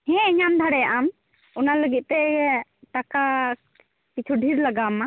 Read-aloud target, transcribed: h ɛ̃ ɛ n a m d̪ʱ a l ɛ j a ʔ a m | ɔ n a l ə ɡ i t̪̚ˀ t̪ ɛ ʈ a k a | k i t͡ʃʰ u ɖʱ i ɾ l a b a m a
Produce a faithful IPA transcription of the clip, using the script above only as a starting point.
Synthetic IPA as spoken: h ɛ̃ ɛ ɲ a m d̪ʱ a ɽ ɛ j a ʔ a m | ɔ n a l ə ɡ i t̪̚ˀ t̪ ɛ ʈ a k a | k i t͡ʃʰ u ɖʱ i ɾ l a ɡ a m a